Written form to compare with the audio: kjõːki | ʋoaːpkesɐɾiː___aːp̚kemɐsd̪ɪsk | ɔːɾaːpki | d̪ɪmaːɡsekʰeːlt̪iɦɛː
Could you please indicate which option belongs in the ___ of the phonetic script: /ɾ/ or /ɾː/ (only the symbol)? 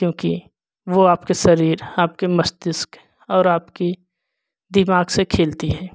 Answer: ɾ